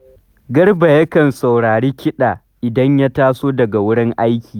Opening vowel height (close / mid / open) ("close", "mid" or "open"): open